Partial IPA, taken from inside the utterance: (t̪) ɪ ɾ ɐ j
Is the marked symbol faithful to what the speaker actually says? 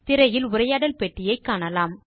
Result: yes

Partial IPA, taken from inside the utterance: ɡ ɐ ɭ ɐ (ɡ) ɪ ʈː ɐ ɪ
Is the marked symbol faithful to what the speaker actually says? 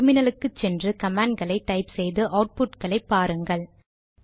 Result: no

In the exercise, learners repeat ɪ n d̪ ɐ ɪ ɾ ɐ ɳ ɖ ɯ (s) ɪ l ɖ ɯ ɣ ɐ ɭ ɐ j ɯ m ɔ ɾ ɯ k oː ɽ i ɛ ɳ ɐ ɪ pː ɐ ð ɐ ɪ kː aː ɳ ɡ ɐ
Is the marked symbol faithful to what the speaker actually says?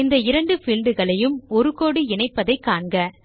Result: no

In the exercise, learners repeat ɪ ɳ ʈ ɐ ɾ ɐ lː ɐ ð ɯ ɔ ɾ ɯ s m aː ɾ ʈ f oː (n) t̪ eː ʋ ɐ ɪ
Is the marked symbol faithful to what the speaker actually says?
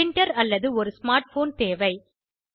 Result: yes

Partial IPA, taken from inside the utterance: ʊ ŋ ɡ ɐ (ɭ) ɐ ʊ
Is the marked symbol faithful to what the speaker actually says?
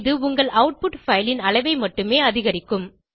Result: yes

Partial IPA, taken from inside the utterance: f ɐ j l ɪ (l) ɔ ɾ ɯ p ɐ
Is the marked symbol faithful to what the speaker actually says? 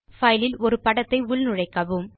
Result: yes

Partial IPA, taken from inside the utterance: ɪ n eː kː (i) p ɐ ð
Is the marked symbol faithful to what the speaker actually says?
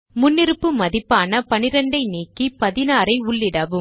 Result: yes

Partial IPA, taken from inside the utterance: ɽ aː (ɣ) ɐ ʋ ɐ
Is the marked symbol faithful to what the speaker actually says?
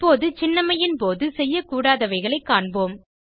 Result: no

